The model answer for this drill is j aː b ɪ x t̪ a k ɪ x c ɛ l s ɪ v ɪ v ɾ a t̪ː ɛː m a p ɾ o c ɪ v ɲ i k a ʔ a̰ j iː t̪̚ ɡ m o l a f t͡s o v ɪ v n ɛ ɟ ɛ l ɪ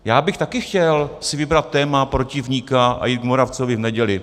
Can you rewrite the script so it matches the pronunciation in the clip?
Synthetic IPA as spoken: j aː b ɪ x t̪ a k ɪ x c ɛ l s ɪ v ɪ b ɾ a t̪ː ɛː m a p ɾ o c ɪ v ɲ i k a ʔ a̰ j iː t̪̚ ɡ m o ɾ a f t͡s o v ɪ v n ɛ ɟ ɛ l ɪ